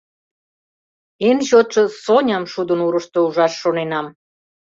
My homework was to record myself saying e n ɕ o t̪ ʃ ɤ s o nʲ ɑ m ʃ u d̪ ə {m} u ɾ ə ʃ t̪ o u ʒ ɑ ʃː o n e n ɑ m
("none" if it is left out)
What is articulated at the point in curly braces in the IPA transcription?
n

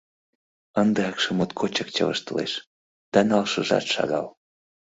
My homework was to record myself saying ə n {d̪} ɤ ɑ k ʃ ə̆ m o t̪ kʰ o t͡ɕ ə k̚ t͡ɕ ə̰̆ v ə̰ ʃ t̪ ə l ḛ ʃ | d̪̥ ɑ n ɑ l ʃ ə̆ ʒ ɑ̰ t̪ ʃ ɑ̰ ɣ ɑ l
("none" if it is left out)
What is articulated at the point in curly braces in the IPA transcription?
d̪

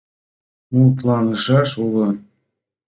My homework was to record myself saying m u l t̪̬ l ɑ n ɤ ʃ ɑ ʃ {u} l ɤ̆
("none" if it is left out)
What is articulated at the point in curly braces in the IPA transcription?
u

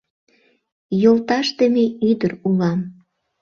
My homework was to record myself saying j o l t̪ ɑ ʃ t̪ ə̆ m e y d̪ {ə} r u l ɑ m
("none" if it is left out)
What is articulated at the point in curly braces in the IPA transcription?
ə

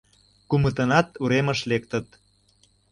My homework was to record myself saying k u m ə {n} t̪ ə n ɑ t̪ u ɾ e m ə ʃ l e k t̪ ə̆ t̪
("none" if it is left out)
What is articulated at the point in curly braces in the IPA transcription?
none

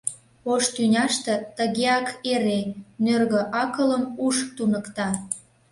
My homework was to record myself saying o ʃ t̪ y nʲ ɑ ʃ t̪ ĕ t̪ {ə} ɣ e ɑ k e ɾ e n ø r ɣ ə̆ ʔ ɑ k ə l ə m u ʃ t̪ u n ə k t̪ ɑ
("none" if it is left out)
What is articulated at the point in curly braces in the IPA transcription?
ə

